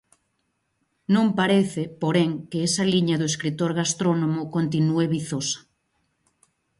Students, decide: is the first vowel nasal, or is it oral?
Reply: nasal